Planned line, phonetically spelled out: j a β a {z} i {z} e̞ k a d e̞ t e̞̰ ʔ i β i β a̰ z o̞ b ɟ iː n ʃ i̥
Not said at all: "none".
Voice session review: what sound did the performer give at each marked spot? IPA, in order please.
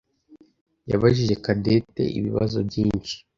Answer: ʒ, ʒ

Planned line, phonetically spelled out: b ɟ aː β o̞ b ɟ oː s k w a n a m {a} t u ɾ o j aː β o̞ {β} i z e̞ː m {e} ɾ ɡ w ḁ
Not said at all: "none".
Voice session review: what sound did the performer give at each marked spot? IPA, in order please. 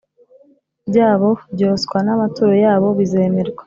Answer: a, β, e

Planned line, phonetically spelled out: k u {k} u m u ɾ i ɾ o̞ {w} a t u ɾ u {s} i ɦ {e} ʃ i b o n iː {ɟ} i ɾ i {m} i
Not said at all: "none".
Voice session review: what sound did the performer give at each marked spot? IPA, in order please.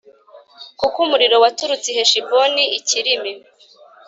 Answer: k, w, t͡s, e, c, m

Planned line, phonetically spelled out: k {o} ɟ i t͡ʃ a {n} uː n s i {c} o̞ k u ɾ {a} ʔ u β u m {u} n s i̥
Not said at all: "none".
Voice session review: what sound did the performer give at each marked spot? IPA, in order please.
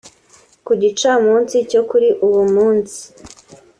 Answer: u, m, c, i, uː

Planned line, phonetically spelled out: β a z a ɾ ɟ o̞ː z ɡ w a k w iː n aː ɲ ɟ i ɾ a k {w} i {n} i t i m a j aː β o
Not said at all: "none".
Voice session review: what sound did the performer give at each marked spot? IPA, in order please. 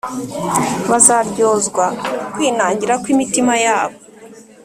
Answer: w, m

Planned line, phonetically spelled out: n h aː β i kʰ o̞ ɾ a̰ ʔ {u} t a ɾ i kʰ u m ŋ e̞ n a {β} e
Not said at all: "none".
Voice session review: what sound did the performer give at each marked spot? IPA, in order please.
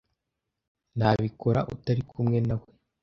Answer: u, w

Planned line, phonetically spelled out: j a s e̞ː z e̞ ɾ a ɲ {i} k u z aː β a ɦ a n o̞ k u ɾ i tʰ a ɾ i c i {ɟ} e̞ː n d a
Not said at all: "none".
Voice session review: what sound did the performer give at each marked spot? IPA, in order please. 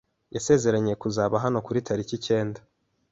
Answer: e, c

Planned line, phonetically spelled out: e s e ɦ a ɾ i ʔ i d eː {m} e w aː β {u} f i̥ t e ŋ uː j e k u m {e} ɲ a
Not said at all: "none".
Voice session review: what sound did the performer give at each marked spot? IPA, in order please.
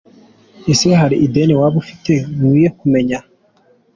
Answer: n, u, e

